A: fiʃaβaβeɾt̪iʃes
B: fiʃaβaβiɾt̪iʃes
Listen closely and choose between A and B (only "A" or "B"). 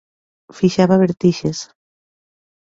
A